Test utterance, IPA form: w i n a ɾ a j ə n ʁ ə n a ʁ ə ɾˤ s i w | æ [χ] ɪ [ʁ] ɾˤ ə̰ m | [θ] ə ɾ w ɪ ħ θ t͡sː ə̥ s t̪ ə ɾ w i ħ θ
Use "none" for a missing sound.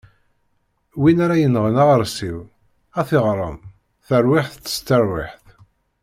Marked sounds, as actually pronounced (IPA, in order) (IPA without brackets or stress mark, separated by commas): θ, ʁ, θ